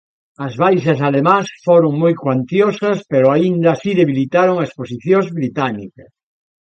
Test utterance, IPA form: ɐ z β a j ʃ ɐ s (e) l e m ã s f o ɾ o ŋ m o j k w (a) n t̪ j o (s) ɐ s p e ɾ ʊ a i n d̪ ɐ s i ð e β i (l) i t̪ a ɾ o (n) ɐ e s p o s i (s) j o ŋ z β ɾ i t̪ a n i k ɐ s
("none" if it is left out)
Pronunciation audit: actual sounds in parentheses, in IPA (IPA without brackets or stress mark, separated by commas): a, a, s, l, ŋ, θ